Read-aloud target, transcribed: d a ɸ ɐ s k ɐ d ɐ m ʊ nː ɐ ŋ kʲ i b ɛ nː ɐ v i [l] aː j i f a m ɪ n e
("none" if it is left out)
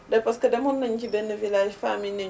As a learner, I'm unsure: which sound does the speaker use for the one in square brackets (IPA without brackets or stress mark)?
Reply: l